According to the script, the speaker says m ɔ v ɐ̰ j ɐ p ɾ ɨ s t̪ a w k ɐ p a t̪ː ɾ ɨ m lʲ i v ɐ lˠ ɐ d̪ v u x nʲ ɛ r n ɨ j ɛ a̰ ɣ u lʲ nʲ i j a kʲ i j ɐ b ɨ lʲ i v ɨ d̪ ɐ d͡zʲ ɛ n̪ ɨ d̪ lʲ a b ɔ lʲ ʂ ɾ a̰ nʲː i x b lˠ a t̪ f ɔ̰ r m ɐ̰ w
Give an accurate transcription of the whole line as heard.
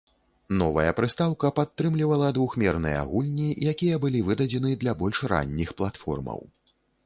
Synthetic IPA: n ɔ v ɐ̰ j ɐ p ɾ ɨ s t̪ a w k ɐ p a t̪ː ɾ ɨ m lʲ i v ɐ lˠ ɐ d̪ v u x mʲ ɛ r n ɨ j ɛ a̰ ɣ u lʲ nʲ i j a kʲ i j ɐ b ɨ lʲ i v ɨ d̪ ɐ d͡zʲ ɛ n̪ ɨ d̪ lʲ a b ɔ lʲ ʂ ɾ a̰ nʲː i x p lˠ a t̪ f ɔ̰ r m ɐ̰ w